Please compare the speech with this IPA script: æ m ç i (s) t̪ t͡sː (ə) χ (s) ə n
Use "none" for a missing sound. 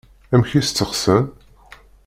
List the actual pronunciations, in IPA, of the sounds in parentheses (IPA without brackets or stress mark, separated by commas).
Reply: s, ə, s